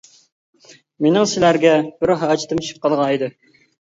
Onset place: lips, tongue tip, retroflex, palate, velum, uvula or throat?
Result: lips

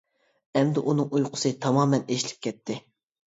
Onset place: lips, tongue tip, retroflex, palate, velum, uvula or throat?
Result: lips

